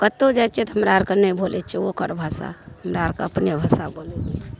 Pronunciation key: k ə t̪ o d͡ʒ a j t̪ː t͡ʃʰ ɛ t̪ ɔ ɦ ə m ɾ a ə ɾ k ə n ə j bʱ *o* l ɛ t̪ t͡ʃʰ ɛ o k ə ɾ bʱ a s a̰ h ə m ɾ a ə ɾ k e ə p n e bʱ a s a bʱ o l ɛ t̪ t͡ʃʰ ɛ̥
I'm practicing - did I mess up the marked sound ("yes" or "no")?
no